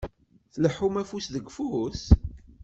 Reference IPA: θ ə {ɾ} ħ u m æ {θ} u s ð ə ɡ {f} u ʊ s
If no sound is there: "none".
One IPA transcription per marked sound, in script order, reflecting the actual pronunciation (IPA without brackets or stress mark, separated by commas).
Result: l, f, f